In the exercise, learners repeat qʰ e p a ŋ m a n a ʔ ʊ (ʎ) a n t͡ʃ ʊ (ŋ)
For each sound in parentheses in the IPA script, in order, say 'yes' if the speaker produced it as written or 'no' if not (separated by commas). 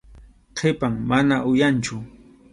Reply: no, no